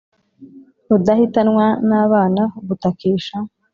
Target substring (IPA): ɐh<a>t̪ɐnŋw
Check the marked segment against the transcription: incorrect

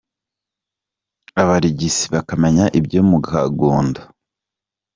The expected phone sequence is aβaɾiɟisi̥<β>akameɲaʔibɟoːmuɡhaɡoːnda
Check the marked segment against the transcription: correct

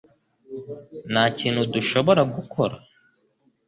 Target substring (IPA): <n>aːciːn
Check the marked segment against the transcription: correct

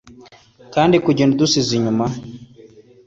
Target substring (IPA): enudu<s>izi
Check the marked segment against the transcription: correct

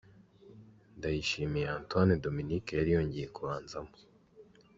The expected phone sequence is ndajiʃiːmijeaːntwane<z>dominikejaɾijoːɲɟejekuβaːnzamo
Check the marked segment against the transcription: incorrect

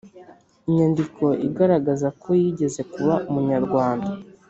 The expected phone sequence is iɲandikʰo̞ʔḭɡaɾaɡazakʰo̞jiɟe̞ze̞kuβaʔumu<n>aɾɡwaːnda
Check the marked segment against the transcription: incorrect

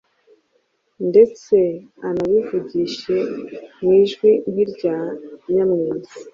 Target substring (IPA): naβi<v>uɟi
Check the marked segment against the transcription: correct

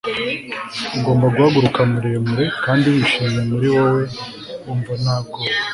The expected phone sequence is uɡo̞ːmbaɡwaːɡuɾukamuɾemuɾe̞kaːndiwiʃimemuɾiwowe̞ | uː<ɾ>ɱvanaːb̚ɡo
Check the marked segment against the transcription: incorrect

